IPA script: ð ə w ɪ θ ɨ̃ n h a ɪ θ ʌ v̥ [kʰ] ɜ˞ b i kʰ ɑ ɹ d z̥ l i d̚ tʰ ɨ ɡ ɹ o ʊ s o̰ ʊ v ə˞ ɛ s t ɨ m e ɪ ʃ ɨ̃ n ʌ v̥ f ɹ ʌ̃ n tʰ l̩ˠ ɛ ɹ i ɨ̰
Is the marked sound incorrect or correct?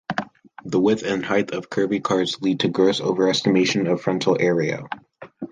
correct